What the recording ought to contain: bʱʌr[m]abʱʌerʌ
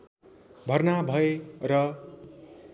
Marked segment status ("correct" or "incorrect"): incorrect